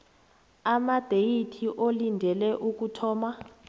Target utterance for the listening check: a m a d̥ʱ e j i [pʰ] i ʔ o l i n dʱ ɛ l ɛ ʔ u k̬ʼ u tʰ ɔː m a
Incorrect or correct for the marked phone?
incorrect: tʰ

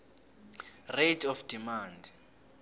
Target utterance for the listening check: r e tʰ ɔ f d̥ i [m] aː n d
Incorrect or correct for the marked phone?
correct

